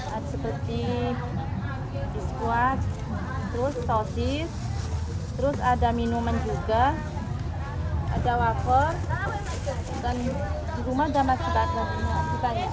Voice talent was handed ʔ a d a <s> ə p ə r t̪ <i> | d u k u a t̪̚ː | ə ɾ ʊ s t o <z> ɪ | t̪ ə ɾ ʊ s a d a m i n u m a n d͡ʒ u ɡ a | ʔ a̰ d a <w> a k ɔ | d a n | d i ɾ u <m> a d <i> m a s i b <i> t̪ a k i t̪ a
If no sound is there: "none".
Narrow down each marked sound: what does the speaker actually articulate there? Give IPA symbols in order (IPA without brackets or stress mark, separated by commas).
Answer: s, i, s, w, m, a, a